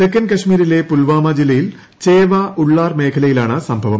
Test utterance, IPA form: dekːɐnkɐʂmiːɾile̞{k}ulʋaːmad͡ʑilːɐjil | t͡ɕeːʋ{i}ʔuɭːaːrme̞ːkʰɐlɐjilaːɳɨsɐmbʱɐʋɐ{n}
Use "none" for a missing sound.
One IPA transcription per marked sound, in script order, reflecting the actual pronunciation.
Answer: p, a, m

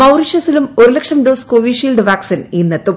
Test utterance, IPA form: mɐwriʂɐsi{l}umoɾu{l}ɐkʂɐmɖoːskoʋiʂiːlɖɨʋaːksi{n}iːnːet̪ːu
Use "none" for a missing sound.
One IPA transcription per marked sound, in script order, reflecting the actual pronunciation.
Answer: l, l, n

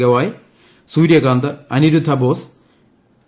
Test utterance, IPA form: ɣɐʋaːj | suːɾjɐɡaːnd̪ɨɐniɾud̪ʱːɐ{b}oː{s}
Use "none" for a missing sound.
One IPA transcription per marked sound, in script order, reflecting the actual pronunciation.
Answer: b, s

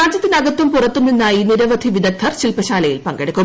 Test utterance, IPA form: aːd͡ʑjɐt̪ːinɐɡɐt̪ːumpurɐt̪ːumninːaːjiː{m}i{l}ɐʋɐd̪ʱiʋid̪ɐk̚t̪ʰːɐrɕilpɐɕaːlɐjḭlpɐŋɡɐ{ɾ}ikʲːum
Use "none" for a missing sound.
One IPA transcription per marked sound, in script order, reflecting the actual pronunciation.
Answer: n, ɾ, ɽ

